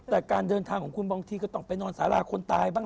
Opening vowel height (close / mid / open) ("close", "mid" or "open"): mid